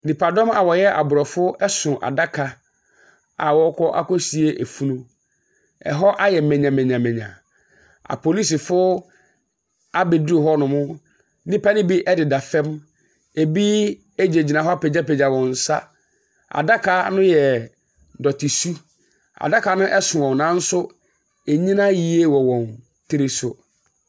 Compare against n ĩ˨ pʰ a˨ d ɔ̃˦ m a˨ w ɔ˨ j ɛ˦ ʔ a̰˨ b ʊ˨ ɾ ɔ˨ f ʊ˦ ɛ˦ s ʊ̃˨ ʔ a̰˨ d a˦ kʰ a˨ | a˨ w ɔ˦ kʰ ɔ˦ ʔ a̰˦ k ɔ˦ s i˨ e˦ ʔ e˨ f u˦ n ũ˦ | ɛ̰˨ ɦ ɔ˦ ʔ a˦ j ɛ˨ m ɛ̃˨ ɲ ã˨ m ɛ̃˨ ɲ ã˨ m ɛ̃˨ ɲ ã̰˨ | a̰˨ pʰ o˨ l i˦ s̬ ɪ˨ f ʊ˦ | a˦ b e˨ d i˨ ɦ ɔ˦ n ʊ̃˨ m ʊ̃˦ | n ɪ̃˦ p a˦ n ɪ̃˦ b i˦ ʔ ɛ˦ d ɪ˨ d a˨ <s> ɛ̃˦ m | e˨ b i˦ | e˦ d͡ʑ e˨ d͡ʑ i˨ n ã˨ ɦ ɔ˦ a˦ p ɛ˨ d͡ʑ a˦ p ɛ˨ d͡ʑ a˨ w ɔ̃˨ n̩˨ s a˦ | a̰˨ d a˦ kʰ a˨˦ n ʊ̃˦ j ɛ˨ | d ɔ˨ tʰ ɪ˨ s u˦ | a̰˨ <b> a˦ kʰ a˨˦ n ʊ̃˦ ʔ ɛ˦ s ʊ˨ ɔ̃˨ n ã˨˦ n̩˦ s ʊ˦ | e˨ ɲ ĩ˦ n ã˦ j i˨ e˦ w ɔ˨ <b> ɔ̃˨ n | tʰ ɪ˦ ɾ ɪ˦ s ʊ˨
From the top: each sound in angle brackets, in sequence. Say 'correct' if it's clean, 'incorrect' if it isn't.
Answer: incorrect: f, incorrect: d, incorrect: w

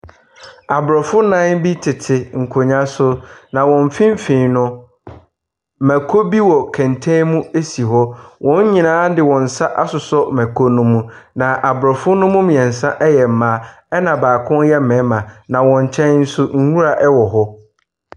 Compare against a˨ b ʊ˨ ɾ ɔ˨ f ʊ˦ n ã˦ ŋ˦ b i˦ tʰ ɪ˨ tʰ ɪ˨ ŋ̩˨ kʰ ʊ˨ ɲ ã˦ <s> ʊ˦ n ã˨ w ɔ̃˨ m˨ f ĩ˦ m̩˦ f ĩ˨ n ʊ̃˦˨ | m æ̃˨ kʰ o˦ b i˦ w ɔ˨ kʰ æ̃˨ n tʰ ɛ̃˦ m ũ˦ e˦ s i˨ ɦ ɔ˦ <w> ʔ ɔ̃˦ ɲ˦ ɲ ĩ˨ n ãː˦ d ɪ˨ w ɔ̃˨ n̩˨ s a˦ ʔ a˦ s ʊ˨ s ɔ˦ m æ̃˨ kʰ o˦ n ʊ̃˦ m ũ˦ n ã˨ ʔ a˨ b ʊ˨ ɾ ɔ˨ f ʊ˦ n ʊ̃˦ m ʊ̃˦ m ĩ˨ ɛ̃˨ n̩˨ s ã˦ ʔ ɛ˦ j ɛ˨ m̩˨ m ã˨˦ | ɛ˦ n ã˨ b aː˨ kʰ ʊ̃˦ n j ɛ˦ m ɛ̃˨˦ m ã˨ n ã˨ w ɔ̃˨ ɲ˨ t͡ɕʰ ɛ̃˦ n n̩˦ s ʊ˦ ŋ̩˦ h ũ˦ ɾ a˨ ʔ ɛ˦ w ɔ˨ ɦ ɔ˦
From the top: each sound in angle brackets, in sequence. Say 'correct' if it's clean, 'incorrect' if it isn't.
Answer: correct, correct

